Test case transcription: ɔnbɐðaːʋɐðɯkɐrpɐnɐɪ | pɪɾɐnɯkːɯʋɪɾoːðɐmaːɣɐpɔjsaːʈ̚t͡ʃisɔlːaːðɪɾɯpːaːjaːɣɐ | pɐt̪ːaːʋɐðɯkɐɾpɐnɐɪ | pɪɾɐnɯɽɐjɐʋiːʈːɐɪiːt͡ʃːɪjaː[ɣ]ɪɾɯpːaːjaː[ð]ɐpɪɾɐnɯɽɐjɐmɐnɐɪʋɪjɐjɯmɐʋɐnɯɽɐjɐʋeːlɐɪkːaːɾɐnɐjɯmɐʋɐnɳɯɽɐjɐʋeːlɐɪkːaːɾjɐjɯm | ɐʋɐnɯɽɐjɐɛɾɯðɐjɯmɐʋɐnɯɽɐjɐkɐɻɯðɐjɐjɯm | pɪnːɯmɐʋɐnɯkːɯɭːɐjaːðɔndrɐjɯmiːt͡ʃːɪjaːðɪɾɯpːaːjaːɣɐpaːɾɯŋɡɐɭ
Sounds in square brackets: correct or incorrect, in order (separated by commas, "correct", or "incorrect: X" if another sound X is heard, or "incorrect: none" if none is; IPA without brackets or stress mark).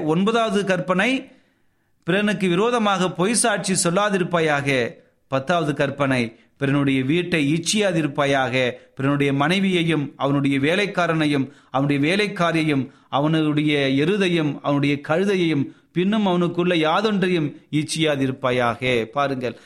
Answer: incorrect: ð, incorrect: ɣ